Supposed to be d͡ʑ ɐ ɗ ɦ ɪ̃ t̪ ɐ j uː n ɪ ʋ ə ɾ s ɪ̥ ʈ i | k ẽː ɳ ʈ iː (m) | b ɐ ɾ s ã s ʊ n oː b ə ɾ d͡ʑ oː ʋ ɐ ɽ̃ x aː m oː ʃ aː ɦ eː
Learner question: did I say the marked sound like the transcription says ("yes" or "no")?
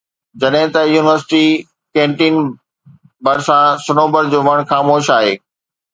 no